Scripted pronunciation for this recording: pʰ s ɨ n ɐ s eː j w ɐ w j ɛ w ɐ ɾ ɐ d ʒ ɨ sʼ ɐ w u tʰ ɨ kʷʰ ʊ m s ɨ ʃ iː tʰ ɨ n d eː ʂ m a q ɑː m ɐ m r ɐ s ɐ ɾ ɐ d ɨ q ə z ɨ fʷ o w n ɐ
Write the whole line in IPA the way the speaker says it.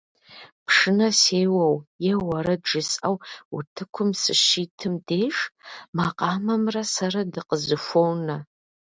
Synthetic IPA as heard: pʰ ʂ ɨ n ɐ s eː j w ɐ w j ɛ w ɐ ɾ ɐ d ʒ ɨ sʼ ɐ w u tʰ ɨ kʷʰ ʊ m s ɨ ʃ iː tʰ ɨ m d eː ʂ m a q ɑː m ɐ m r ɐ s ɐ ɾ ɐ d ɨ q ə z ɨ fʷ o w n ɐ